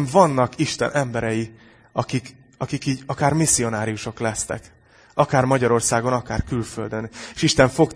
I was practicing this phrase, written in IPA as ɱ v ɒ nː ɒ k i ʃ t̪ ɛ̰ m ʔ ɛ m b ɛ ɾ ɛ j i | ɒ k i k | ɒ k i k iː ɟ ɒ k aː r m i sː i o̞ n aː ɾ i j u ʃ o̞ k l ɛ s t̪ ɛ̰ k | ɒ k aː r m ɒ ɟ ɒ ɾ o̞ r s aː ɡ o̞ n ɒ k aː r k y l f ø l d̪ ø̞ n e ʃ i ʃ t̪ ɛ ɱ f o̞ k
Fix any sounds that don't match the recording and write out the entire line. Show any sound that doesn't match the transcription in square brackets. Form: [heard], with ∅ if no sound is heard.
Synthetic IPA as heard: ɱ v ɒ nː ɒ k i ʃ t̪ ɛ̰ [n] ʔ ɛ m b ɛ ɾ ɛ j i | ɒ k i k | ɒ k i k iː ɟ ɒ k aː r m i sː i o̞ n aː ɾ i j u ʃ o̞ k l ɛ s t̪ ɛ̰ k | ɒ k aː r m ɒ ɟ ɒ ɾ o̞ r s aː ɡ o̞ n ɒ k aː r k y l f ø l d̪ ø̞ n e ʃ i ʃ t̪ ɛ ɱ f o̞ k